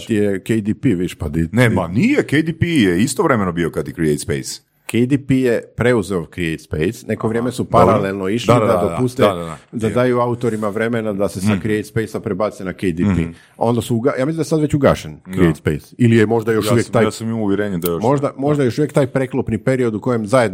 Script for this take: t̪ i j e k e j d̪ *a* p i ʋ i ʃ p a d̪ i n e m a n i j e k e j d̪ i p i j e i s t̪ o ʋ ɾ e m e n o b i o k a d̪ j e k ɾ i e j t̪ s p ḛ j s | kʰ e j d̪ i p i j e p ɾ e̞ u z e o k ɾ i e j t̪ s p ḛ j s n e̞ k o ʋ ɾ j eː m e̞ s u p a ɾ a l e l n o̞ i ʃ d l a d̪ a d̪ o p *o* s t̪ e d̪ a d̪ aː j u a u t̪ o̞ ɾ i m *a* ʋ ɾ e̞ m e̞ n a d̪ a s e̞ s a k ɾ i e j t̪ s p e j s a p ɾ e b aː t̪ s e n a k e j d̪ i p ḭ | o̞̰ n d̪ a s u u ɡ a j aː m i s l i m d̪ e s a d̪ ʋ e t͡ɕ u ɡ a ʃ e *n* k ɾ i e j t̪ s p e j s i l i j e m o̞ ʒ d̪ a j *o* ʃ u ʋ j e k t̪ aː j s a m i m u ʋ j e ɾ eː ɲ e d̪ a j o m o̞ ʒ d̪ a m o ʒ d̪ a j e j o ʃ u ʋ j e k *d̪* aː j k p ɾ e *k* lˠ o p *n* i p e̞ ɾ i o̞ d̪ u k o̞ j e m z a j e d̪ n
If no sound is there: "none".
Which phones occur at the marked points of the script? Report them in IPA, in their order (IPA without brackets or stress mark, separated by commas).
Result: i, u, a, n, o, t̪, k, n